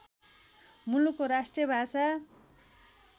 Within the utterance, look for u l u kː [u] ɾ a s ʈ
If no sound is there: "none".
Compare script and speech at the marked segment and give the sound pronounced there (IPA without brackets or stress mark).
o